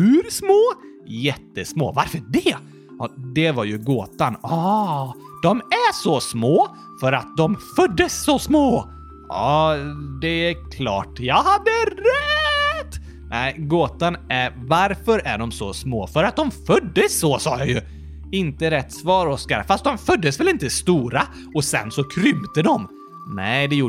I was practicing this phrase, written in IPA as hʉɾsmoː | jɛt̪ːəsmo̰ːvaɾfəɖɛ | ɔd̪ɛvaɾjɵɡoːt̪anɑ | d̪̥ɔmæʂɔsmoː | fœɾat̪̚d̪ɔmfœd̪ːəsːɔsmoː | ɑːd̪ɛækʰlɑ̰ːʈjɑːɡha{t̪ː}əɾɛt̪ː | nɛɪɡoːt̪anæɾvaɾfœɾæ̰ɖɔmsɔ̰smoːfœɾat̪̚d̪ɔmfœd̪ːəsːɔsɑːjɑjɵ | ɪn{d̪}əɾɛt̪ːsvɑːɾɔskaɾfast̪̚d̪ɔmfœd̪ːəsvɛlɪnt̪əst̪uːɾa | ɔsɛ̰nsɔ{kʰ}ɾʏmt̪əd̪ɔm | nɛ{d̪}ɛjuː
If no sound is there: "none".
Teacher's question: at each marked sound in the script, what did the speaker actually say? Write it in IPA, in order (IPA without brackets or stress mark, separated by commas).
d̪ː, t̪, kʰ, d̪